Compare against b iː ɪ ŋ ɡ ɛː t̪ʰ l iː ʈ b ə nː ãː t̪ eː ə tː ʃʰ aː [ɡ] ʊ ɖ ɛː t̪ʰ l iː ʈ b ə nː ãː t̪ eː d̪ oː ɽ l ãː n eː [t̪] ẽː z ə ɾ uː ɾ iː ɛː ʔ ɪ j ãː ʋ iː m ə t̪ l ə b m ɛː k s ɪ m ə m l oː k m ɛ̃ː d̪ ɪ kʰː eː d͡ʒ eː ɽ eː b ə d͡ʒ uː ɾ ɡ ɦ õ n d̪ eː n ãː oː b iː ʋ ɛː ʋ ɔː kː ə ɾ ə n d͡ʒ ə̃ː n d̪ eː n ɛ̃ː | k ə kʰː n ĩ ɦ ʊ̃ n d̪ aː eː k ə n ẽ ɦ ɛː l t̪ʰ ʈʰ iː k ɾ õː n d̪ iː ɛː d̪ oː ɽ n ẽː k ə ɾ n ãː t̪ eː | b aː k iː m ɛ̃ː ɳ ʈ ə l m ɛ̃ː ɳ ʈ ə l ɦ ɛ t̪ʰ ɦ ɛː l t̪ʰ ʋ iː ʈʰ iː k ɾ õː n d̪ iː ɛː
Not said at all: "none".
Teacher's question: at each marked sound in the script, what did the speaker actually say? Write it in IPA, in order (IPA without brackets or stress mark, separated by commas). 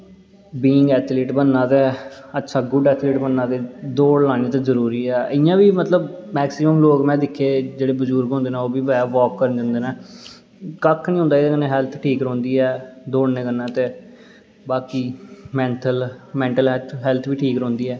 ɡ, t̪